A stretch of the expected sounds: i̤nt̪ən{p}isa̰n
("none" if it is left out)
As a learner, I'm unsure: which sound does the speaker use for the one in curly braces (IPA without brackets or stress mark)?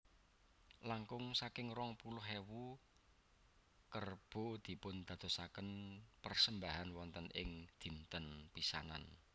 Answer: p